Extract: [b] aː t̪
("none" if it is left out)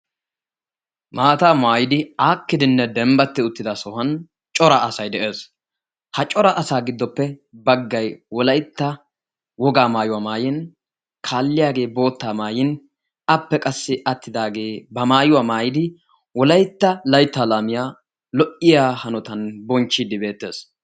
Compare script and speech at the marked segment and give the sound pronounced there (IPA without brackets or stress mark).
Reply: m